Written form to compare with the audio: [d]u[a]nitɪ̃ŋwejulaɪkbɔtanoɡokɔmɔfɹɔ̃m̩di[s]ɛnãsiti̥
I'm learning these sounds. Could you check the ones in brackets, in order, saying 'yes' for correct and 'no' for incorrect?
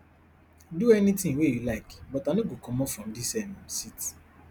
yes, no, yes

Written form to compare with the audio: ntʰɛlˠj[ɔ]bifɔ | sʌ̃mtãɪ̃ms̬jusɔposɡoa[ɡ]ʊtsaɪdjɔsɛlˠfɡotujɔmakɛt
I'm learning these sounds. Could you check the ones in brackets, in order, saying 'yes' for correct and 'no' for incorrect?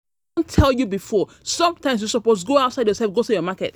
no, no

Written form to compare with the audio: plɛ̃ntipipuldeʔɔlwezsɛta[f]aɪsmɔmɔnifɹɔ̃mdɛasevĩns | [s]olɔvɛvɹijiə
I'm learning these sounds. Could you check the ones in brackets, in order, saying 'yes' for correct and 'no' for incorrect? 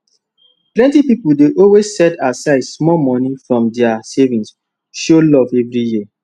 no, no

